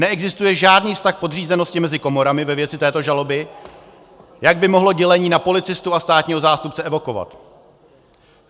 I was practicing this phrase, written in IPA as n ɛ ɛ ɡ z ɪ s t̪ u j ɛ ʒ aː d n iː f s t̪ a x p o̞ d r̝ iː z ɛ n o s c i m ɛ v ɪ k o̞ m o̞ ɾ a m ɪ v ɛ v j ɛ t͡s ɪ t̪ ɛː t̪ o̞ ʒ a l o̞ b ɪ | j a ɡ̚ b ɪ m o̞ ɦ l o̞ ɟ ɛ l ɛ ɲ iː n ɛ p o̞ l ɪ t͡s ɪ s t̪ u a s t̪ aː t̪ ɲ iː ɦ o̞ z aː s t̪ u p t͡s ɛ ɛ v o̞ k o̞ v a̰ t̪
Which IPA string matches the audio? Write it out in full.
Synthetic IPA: n ɛ ɛ ɡ z ɪ s t̪ u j ɛ ʒ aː d n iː f s t̪ a x p o̞ d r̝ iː z ɛ n o s c ɪ m ɛ z ɪ k o̞ m o̞ ɾ a m ɪ v ɛ v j ɛ t͡s ɪ t̪ ɛː t̪ o̞ ʒ a l o̞ b ɪ | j a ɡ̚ b ɪ m o̞ ɦ l o̞ ɟ ɛ l ɛ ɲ iː n a p o̞ l ɪ t͡s ɪ s t̪ u a s t̪ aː t̪ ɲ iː ɦ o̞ z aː s t̪ u p t͡s ɛ ɛ v o̞ k o̞ v a̰ t̪